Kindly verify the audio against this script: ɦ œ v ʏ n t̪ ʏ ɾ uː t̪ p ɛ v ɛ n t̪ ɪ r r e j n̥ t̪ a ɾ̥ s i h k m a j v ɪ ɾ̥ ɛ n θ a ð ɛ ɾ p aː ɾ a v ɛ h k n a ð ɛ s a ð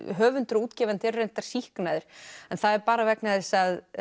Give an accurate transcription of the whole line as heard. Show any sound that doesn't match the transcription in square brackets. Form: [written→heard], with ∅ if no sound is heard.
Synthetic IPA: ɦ [œ→œː] v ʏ n t̪ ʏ ɾ uː t̪ [p→c] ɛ v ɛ n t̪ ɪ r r e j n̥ t̪ a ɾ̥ s i h k [m→n] a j [v→ð] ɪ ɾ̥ ɛ n θ a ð ɛ ɾ p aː ɾ a v ɛ [h→∅] k n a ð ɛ s a ð